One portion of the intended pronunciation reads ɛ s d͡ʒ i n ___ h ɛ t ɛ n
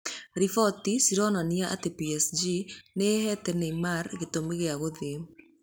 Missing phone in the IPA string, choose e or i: e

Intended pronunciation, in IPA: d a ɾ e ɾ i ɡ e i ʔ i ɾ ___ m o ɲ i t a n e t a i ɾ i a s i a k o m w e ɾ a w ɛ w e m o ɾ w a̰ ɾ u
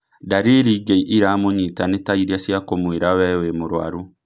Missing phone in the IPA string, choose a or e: a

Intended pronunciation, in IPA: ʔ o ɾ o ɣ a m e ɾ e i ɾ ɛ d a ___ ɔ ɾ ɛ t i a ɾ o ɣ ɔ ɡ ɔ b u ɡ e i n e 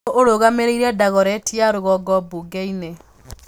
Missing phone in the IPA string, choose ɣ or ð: ɣ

